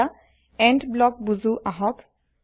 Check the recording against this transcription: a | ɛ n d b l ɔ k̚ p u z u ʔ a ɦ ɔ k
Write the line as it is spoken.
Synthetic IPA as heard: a | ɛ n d b l ɔ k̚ b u z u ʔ a ɦ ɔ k